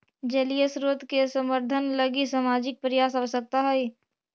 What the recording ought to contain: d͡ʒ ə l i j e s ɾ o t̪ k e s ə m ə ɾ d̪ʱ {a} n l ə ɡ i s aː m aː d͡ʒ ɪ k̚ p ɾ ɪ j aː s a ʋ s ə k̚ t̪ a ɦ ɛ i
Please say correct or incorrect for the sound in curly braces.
incorrect